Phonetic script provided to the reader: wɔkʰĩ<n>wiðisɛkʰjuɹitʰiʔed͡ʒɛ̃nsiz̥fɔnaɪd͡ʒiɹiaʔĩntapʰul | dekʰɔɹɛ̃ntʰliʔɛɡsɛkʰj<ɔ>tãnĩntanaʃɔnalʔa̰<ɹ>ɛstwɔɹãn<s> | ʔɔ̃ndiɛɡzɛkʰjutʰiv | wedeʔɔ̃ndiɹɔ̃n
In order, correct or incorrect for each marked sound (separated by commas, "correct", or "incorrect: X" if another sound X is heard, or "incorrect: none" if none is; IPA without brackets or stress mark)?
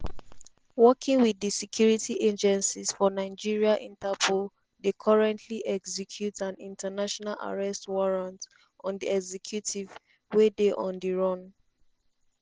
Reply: incorrect: ŋ, incorrect: u, correct, incorrect: t